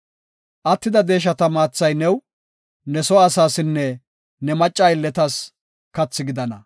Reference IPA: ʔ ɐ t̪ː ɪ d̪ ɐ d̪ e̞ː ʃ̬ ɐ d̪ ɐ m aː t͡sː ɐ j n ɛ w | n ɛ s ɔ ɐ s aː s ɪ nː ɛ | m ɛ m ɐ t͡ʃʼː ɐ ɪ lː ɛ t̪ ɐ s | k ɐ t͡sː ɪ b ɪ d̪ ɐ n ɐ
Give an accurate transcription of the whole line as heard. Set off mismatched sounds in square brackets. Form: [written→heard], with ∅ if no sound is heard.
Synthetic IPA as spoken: ʔ ɐ t̪ː ɪ d̪ ɐ d̪ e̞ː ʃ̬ ɐ [d̪→t̪] ɐ m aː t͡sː ɐ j n ɛ w | n ɛ s ɔ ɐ s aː s ɪ nː ɛ | [m→n] ɛ m ɐ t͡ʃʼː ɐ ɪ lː ɛ t̪ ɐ s | k ɐ t͡sː ɪ [b→ɡ] ɪ d̪ ɐ n ɐ